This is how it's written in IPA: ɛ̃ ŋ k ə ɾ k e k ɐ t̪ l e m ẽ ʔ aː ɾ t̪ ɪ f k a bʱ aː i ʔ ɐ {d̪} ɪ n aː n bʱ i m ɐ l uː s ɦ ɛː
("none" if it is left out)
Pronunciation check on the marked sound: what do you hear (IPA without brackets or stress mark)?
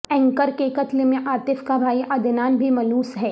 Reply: d̪